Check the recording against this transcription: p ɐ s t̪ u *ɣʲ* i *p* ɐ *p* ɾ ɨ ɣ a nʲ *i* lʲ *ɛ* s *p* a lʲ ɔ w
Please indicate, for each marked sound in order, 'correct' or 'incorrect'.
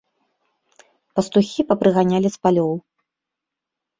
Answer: incorrect: xʲ, correct, correct, incorrect: a, incorrect: i, correct

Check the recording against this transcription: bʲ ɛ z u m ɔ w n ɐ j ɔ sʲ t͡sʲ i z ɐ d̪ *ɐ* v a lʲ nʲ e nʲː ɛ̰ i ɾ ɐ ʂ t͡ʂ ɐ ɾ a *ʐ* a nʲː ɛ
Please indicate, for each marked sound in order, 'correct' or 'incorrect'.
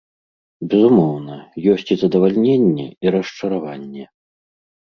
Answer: correct, incorrect: v

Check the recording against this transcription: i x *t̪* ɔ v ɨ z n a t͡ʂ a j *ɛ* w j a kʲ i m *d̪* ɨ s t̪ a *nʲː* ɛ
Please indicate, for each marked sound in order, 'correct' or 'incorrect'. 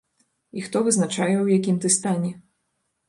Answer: correct, correct, incorrect: t̪, incorrect: nʲ

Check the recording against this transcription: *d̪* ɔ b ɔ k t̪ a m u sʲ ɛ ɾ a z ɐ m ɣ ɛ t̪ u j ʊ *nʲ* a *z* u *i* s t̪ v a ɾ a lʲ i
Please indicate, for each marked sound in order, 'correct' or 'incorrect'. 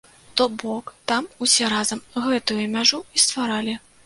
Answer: incorrect: t̪, incorrect: mʲ, incorrect: ʐ, correct

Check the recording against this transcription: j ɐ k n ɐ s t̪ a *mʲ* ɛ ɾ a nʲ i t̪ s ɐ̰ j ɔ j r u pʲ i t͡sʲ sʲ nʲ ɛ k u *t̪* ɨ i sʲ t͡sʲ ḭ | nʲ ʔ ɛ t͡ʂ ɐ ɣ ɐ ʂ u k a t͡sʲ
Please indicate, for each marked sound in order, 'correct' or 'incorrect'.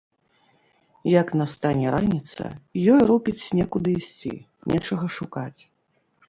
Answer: incorrect: nʲ, incorrect: d̪

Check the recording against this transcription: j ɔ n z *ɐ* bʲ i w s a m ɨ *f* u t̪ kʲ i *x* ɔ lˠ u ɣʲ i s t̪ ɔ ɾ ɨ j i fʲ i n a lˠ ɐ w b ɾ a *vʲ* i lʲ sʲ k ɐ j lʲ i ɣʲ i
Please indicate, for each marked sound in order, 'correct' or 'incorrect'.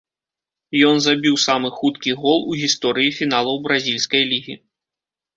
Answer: incorrect: a, incorrect: x, incorrect: ɣ, incorrect: zʲ

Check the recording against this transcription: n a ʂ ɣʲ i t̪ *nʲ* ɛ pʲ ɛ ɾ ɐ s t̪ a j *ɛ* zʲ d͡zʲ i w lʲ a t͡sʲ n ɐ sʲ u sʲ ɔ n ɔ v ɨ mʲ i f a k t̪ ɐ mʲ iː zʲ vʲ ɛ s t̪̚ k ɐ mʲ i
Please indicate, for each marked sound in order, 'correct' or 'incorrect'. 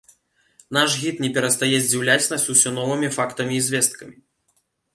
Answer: correct, correct

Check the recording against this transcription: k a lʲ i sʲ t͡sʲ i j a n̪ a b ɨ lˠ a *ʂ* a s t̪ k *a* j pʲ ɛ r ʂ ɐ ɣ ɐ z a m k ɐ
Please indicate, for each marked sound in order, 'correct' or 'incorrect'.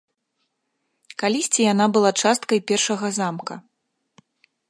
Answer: incorrect: t͡ʂ, incorrect: ɐ

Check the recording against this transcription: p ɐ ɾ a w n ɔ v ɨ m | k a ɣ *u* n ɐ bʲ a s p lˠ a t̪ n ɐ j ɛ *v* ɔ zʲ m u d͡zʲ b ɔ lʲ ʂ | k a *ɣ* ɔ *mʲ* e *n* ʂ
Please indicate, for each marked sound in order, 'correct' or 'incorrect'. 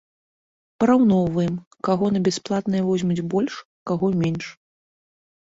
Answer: incorrect: ɔ, correct, correct, correct, correct

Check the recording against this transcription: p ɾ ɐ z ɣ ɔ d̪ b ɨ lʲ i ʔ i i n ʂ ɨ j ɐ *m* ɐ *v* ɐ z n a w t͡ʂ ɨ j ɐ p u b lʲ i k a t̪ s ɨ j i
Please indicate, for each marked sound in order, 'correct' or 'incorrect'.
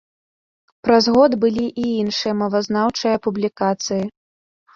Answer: correct, correct

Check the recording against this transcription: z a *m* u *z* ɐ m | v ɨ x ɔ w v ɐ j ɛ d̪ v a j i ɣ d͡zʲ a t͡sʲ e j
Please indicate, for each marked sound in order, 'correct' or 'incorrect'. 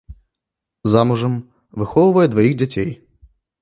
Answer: correct, incorrect: ʐ

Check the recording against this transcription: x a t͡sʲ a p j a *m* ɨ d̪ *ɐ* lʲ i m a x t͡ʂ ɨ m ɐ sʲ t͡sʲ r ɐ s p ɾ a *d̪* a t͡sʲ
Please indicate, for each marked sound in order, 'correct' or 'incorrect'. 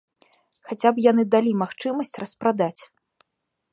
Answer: incorrect: n, incorrect: a, correct

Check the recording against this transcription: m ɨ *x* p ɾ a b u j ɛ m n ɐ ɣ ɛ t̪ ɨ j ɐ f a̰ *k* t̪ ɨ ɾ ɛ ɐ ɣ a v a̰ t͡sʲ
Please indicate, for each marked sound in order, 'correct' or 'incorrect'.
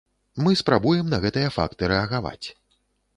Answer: incorrect: s, correct

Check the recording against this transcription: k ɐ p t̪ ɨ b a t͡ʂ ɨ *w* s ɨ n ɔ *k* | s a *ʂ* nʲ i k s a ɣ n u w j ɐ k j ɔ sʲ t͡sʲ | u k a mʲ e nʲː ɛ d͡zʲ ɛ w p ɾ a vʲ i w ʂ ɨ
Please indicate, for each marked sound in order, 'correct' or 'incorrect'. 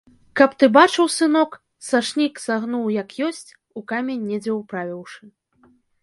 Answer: correct, correct, correct

